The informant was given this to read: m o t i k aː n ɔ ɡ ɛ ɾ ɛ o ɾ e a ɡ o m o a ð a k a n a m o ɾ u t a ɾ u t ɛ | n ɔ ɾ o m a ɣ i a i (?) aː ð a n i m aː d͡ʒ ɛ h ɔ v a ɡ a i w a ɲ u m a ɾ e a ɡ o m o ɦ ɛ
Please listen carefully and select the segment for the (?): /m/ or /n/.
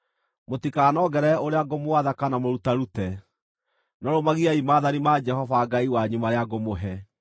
m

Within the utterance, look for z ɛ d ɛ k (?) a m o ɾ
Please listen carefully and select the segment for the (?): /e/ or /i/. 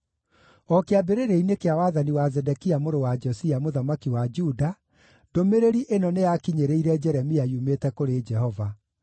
i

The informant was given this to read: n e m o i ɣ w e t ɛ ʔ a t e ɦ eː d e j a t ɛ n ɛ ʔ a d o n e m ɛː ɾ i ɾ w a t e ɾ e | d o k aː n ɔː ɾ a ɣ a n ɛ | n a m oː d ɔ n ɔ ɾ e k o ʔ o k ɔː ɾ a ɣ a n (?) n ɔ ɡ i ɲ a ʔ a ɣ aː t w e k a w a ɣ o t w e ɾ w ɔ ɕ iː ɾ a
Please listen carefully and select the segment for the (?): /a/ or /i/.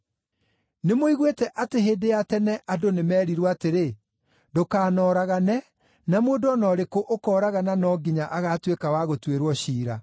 a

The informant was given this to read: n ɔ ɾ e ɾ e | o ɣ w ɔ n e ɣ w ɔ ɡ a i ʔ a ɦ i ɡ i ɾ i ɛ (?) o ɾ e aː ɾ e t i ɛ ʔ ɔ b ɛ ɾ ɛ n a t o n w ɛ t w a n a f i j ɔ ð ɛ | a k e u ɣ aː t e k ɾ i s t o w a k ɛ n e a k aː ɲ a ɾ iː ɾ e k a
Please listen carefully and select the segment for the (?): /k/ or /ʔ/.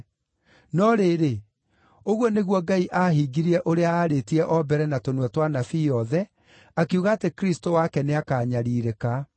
ʔ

